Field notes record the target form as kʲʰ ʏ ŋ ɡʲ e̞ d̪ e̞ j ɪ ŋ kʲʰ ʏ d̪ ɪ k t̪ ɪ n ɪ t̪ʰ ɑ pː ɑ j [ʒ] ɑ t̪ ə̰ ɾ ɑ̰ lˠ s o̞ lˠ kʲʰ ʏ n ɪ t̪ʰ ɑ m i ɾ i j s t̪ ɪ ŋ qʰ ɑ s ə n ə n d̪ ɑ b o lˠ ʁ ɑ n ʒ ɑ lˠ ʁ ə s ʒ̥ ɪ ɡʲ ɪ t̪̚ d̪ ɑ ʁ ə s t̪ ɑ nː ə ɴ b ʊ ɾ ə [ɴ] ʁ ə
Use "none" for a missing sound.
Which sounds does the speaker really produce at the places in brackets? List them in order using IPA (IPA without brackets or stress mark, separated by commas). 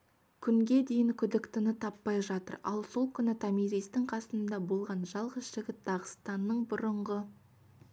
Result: ʒ, ɴ